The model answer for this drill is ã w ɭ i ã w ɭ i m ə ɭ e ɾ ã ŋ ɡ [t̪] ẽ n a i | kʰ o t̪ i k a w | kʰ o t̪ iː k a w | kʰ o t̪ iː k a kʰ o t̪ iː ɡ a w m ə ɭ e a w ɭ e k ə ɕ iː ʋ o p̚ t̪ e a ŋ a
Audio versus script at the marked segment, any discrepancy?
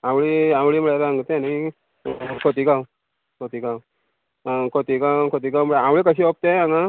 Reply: no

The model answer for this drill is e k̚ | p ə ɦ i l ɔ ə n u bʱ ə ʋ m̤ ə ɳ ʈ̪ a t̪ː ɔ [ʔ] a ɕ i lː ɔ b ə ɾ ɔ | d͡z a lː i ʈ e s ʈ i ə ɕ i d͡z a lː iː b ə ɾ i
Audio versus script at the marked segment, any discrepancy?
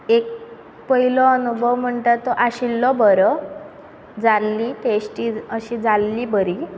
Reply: no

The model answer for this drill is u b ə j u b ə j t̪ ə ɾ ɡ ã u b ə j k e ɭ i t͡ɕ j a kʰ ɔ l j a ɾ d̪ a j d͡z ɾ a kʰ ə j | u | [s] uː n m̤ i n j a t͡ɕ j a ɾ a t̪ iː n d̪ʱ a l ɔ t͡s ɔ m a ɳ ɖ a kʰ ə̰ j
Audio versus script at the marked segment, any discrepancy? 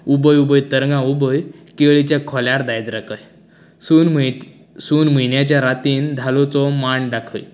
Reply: no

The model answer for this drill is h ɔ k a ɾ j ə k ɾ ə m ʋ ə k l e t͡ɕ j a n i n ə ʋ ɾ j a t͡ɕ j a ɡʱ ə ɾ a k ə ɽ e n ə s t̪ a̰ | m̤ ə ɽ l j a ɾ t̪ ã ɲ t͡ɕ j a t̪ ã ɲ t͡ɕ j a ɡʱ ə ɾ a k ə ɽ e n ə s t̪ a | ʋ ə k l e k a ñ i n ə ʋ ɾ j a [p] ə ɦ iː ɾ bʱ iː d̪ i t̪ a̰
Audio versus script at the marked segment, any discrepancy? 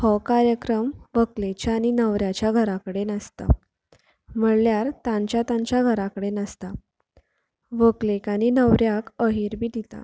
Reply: yes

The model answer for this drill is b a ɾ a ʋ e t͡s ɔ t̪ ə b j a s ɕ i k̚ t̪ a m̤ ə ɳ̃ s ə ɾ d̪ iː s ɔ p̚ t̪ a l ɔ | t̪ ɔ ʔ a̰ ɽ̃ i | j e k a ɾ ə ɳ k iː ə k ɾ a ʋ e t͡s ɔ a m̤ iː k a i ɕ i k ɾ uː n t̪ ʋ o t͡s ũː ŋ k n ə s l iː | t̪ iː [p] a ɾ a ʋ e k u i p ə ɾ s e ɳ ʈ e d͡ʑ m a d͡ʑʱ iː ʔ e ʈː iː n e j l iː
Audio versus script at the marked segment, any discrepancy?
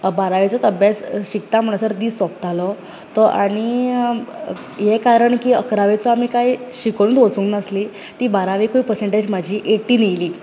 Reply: yes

